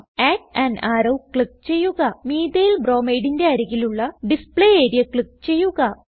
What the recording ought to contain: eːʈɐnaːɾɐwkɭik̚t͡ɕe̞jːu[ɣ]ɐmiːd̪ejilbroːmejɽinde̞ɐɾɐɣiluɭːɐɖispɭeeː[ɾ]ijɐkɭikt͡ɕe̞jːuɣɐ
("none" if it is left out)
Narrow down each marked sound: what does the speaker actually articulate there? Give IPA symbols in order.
ɣ, ɾ

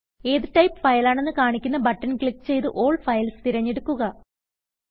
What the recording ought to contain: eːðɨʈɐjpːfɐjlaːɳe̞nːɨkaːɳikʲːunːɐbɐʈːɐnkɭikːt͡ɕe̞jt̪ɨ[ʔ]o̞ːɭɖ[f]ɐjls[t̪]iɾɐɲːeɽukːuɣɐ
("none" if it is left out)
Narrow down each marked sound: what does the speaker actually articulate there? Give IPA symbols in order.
ʔ, f, t̪

